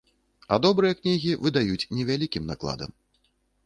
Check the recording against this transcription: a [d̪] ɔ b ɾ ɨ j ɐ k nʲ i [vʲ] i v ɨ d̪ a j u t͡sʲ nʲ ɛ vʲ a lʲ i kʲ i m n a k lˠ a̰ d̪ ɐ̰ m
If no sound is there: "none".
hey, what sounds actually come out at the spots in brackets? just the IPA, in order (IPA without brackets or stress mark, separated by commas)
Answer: d̪, ɣʲ